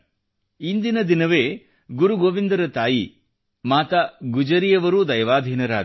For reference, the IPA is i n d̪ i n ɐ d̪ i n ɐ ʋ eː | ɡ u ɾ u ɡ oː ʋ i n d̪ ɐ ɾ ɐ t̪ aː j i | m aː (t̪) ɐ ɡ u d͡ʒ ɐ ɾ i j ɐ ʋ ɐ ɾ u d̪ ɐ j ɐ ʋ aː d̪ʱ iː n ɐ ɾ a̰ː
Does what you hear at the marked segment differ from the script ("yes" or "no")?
no